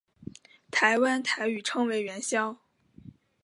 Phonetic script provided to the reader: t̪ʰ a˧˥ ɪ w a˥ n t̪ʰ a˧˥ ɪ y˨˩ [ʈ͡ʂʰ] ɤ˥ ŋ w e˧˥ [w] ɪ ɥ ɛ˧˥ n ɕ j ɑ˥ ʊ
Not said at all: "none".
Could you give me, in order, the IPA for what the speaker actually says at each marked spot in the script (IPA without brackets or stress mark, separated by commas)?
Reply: ʈ͡ʂʰ, none